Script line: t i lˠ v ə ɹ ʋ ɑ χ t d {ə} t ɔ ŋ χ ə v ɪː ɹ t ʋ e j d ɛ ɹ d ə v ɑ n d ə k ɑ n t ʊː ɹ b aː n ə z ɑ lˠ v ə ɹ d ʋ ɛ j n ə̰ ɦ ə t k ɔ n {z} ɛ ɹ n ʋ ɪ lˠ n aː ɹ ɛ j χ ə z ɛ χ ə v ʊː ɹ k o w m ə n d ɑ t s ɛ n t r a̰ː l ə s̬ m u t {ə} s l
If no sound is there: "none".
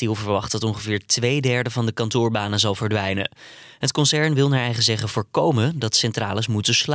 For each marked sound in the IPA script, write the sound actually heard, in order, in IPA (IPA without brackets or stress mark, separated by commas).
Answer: ɑ, s, ə